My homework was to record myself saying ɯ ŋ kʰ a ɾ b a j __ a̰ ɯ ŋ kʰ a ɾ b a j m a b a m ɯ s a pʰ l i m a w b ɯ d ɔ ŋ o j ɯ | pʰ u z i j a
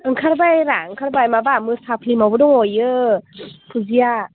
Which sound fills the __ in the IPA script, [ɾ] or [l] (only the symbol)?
ɾ